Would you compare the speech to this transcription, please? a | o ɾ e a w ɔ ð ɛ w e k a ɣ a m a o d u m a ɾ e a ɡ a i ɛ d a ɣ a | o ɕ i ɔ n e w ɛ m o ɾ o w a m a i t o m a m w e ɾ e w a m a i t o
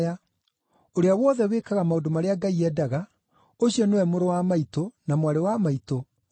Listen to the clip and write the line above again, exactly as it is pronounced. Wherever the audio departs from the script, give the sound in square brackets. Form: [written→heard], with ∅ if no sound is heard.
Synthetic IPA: a | o ɾ e a w ɔ ð ɛ w e k a ɣ a m a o d [u→o] m a ɾ e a ɡ a i ɛ d a ɣ a | o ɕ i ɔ n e w ɛ m o ɾ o w a m a i t o [m→n] a m w [e→a] ɾ e w a m a i t o